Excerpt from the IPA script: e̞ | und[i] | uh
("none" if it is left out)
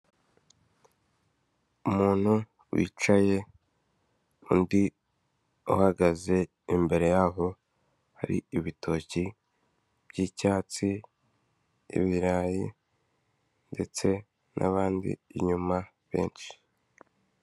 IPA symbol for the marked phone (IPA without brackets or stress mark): i